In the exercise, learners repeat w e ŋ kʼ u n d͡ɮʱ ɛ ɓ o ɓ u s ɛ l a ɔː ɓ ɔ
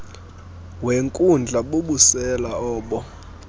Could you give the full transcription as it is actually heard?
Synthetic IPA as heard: w e ŋ kʼ u n d͡ɮʱ a ɓ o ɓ u s ɛ l a ɔː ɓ ɔ